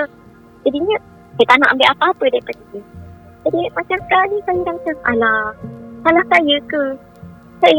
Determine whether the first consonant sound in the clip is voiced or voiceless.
voiced